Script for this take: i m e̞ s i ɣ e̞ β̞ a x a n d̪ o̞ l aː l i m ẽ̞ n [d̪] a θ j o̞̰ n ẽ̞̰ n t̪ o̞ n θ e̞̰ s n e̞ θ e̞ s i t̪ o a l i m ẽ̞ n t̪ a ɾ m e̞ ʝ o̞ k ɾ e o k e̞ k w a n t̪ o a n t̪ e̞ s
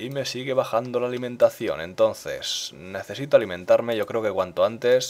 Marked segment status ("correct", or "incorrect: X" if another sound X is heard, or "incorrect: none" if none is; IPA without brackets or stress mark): incorrect: t̪